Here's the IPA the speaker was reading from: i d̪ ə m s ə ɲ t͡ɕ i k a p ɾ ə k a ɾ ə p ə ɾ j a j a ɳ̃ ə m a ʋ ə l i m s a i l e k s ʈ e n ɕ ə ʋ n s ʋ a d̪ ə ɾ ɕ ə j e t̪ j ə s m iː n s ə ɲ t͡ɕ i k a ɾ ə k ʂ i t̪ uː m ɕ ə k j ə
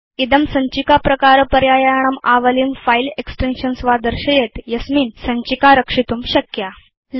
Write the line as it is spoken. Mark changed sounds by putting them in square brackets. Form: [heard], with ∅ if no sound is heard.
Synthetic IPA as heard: i d̪ ə m s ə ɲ t͡ɕ i k a p ɾ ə k a ɾ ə p ə ɾ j a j a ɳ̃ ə m a ʋ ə l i m [f] a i l e k s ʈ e n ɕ ə [∅] n s ʋ a d̪ ə ɾ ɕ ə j e t̪ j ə s m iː n s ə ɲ t͡ɕ i k a ɾ ə k ʂ i t̪ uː m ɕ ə k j [a]